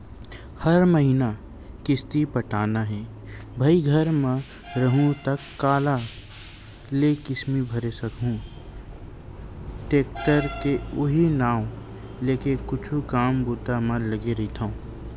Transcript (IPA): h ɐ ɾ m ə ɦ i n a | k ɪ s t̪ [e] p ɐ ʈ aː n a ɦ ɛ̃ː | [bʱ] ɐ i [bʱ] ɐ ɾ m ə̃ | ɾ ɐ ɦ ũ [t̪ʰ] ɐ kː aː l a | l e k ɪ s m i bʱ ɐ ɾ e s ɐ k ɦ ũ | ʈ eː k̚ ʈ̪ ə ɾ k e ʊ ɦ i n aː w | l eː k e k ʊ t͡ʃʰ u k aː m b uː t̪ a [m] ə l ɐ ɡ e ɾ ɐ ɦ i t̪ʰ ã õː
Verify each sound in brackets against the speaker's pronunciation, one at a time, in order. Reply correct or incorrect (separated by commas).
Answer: incorrect, correct, incorrect, incorrect, correct